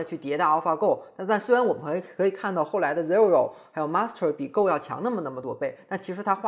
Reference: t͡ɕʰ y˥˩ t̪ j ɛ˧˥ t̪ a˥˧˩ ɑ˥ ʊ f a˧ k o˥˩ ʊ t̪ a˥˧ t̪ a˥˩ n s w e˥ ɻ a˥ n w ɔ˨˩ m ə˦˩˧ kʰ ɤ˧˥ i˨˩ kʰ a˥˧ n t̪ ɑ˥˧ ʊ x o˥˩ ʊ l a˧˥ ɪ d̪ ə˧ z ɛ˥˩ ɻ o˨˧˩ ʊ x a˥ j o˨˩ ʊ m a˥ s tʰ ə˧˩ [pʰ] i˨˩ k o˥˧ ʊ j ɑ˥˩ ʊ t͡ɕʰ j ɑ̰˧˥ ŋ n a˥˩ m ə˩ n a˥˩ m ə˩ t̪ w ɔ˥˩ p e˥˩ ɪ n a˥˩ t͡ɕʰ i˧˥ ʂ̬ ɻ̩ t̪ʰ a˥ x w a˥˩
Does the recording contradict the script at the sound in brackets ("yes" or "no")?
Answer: yes